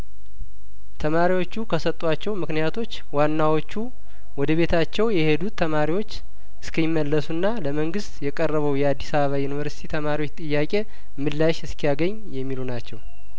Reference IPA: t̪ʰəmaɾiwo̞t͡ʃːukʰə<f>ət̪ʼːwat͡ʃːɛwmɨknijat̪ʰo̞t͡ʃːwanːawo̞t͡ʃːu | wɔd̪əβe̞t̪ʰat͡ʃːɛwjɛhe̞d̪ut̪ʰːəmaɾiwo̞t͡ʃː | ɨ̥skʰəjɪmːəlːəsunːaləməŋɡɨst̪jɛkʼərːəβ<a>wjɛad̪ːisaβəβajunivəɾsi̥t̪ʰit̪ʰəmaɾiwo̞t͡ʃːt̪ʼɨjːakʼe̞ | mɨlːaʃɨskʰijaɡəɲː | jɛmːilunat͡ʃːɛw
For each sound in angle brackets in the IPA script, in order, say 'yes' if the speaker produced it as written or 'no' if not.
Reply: no, no

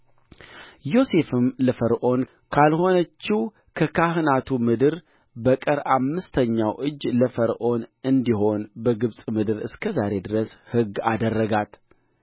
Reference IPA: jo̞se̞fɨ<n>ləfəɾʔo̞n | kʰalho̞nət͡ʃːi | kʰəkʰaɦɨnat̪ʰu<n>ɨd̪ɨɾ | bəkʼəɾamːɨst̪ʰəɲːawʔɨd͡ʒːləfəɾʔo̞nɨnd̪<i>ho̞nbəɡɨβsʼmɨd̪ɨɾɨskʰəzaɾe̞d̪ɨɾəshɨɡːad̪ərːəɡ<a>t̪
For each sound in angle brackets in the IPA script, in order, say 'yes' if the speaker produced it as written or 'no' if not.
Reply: no, no, yes, yes

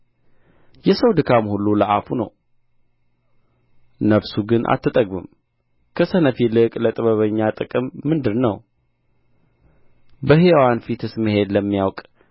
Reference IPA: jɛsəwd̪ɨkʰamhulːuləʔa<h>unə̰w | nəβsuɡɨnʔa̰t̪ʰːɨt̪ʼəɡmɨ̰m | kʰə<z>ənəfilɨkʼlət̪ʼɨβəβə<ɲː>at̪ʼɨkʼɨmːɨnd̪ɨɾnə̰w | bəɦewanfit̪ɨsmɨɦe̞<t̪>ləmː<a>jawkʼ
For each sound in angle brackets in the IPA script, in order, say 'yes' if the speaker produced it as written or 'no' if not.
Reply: no, no, yes, no, no

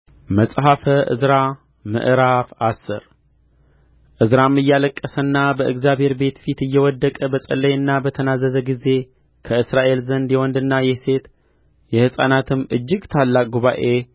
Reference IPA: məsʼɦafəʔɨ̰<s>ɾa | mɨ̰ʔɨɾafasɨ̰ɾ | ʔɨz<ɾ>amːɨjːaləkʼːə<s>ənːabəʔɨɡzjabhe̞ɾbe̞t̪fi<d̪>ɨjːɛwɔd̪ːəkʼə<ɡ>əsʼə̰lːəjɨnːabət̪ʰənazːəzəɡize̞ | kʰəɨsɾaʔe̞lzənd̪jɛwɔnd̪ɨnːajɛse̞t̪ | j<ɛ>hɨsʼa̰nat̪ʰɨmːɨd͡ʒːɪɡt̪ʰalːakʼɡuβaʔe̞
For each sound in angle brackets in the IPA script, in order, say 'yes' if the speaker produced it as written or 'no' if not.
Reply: no, yes, yes, no, no, yes

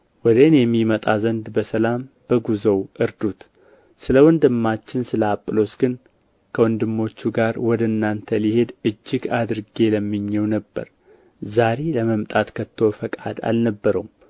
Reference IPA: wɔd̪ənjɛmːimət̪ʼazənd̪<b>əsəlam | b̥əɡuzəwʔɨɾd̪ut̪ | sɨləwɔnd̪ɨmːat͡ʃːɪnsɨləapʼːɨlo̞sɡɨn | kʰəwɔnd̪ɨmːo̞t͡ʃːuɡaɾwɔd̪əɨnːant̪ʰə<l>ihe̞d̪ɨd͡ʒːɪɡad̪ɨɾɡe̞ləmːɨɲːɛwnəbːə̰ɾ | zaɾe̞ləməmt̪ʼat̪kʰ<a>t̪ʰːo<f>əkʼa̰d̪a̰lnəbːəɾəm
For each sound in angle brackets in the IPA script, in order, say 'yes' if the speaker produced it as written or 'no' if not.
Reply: yes, yes, no, yes

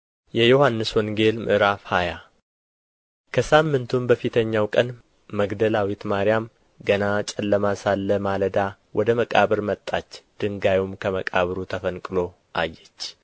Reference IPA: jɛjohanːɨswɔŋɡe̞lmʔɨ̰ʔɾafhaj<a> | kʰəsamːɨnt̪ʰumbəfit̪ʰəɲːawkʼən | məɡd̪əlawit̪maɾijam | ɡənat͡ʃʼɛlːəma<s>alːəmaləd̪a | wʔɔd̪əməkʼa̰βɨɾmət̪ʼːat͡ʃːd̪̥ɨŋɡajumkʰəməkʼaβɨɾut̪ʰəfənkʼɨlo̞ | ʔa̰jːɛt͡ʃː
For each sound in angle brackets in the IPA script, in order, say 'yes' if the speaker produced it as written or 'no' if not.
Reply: yes, yes

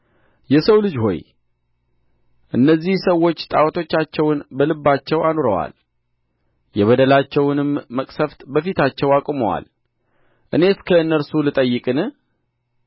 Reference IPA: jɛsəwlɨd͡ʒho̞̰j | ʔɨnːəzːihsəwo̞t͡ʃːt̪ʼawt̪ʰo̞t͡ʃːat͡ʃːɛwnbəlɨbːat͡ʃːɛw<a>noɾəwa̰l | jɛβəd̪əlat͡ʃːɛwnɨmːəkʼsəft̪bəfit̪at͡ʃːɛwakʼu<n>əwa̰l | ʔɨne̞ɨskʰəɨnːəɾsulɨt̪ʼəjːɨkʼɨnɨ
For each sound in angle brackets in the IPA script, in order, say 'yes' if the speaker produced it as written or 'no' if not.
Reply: yes, no

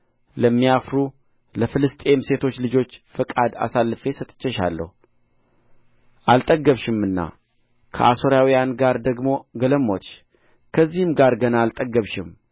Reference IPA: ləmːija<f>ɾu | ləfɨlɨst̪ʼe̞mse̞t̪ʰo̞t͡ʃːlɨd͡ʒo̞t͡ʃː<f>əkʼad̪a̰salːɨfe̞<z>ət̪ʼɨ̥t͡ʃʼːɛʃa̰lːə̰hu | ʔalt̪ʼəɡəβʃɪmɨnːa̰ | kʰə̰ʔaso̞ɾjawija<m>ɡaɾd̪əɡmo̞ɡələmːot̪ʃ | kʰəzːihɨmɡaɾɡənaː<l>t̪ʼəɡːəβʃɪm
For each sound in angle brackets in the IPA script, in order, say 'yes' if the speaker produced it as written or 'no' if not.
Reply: yes, yes, no, no, yes

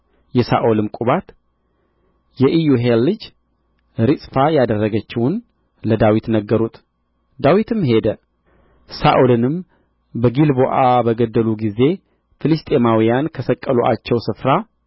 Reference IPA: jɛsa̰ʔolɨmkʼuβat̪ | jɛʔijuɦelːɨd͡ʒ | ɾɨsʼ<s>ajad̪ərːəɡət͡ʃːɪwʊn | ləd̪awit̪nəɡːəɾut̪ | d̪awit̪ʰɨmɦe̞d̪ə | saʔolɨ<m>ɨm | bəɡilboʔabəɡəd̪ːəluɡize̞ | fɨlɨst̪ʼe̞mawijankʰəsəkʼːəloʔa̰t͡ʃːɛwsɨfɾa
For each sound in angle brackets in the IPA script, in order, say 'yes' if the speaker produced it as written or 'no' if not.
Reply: no, no

